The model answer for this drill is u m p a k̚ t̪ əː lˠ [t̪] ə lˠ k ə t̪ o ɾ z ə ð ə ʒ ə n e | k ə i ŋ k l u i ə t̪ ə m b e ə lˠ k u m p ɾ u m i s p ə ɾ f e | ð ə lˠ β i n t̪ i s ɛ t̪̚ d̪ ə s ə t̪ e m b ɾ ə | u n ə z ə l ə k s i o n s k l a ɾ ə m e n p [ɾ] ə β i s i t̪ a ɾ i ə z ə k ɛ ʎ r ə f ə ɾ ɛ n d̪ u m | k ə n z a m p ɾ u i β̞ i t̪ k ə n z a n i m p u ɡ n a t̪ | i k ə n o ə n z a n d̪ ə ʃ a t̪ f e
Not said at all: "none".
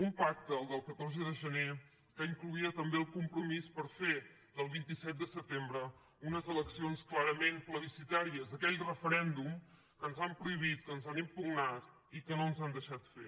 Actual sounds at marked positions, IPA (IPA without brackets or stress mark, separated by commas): d̪, l